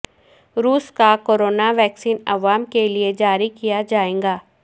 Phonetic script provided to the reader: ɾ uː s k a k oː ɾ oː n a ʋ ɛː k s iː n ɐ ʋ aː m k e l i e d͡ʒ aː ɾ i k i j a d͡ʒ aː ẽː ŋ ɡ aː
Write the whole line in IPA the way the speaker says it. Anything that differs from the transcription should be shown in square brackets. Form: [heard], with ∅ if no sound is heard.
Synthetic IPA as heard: ɾ uː s k a k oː ɾ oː n a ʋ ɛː k s iː n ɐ ʋ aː m k e l i e d͡ʒ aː ɾ i k i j a d͡ʒ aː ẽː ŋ ɡ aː